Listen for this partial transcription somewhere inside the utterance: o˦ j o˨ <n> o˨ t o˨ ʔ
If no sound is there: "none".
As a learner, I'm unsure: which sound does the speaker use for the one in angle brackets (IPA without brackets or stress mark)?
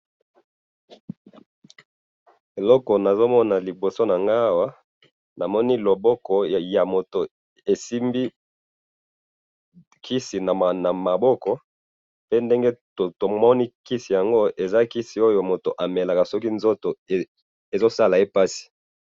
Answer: m